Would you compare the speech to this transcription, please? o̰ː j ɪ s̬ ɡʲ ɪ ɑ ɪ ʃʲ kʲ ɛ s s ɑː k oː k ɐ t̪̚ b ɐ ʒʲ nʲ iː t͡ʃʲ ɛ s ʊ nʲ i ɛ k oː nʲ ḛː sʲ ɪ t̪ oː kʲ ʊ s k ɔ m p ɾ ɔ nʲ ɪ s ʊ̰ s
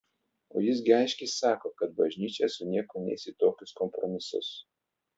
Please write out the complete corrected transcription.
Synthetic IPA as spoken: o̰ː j ɪ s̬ ɡʲ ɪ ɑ ɪ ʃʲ kʲ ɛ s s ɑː k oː k ɐ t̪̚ b ɐ ʒʲ nʲ iː t͡ʃʲ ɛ s ʊ nʲ i ɛ k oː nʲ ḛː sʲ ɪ t̪ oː kʲ ʊ s k ɔ m p ɾ ɔ mʲ ɪ s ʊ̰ s